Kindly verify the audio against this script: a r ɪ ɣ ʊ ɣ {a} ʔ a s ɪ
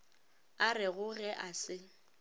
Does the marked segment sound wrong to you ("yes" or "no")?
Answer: yes